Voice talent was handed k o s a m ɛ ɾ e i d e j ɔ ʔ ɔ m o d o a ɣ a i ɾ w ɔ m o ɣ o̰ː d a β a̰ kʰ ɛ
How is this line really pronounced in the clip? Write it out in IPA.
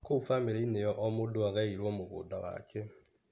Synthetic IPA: k o f a m e ɾ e i n e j ɔ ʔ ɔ m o d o a ɣ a i ɾ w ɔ m o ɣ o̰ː d a w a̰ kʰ ɛ